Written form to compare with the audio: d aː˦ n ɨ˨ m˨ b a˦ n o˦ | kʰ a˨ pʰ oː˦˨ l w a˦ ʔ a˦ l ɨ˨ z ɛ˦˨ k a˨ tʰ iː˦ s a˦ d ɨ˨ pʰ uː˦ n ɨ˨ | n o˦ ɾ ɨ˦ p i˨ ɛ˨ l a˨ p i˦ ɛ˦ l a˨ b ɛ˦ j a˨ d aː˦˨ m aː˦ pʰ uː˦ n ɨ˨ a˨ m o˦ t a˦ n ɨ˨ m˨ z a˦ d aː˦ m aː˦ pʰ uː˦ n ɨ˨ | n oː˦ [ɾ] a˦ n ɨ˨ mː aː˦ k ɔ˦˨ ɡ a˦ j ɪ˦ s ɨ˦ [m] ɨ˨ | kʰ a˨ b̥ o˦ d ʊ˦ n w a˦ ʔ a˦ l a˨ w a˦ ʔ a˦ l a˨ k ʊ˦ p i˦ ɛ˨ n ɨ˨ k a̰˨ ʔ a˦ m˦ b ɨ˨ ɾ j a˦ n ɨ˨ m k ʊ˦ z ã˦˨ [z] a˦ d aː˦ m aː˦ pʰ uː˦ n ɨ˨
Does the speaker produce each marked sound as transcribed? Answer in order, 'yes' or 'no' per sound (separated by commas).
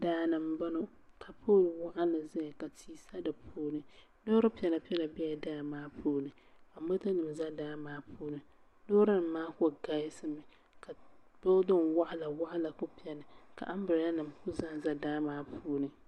yes, yes, yes